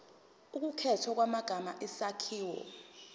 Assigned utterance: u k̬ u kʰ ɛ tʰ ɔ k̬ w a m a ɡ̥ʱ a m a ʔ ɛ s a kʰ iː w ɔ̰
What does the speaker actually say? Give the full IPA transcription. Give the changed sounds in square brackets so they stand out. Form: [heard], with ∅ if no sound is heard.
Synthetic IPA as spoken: u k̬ u kʰ ɛ tʰ ɔ k̬ w a m a ɡ̥ʱ a m a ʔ ɛ s a kʰ iː w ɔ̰